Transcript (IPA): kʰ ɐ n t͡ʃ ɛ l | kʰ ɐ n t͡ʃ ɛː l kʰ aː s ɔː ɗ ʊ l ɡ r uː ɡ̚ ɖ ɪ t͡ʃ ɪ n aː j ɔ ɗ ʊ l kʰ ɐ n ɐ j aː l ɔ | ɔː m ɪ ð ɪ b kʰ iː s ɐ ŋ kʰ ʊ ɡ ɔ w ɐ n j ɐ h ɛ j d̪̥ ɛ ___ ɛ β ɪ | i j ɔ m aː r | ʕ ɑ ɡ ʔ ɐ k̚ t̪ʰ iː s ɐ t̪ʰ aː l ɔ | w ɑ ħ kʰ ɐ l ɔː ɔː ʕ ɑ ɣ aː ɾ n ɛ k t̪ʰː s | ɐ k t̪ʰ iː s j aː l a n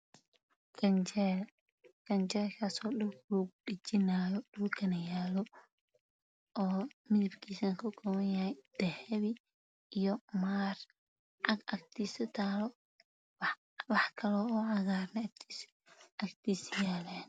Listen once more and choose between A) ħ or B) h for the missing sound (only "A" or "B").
B